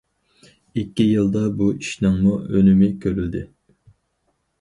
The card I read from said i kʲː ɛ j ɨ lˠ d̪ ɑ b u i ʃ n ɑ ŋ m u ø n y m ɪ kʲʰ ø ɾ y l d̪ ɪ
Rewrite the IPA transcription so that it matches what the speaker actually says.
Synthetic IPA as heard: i kʲː i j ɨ lˠ d̪ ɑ b u i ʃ n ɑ ŋ m u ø n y m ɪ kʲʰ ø ɾ y l d̪ ɪ